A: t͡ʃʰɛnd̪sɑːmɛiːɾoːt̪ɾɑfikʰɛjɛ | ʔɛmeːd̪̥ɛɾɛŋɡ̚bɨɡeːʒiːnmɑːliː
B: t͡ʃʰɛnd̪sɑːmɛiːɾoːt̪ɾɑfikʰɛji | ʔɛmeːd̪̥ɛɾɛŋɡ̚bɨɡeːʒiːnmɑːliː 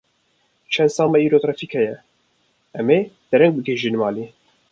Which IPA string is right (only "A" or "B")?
A